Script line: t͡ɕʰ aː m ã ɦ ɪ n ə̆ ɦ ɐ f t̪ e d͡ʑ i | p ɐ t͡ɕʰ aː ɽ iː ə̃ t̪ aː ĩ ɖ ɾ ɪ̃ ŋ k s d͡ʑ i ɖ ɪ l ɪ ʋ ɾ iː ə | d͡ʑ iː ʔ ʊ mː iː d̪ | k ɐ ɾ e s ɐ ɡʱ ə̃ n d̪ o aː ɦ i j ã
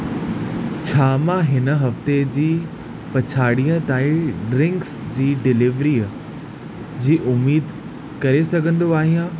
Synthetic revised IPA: t͡ɕʰ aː m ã ɦ ɪ n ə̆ ɦ ɐ f t̪ e d͡ʑ iː | p ɐ t͡ɕʰ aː ɽ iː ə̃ t̪ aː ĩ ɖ ɾ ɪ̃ ŋ k s d͡ʑ iː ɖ ɪ l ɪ ʋ ɾ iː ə | d͡ʑ iː ʔ ʊ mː iː d̪ | k ɐ ɾ e s ɐ ɡʱ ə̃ n d̪ o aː ɦ i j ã